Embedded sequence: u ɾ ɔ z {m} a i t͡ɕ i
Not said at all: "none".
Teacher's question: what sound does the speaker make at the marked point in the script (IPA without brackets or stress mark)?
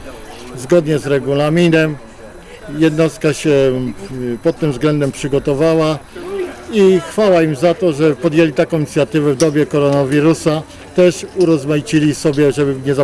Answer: m